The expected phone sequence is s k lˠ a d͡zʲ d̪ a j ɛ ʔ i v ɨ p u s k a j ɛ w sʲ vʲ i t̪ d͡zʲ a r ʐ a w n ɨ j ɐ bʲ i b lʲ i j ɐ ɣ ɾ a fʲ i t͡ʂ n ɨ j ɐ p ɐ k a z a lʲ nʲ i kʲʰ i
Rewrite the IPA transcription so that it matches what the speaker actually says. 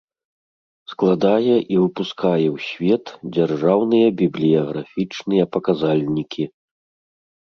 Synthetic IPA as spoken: s k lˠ a d̪ a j ɛ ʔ i v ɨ p u s k a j ɛ w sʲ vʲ ɛ t̪ d͡zʲ a r ʐ a w n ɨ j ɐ bʲ i b lʲ i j ɐ ɣ ɾ a fʲ i t͡ʂ n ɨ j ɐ p ɐ k a z a lʲ nʲ i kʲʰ i